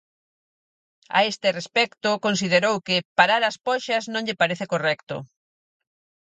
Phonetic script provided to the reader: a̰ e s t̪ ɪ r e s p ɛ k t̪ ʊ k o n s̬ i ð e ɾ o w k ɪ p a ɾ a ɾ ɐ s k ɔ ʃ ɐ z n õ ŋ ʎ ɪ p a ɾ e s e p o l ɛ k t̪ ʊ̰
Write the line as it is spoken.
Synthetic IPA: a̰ e s t̪ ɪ r e s p ɛ k t̪ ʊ k o n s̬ i ð e ɾ o w k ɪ p a ɾ a ɾ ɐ s p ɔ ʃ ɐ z n õ ŋ ʎ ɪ p a ɾ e θ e k o r ɛ k t̪ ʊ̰